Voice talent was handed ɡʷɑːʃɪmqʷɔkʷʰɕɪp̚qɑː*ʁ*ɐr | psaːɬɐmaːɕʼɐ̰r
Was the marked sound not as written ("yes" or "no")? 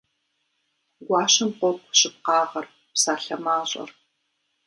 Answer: no